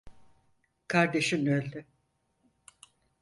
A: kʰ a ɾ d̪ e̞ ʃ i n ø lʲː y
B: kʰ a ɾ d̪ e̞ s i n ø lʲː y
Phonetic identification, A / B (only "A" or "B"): A